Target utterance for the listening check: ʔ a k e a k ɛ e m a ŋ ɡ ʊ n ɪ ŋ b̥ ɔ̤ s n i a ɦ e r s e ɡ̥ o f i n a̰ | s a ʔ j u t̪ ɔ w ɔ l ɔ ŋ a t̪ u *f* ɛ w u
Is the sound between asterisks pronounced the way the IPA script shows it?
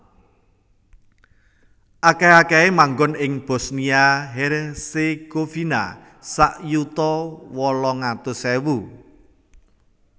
no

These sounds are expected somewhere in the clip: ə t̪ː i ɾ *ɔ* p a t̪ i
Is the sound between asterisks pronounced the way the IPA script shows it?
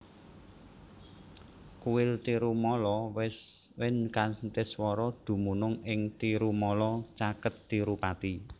no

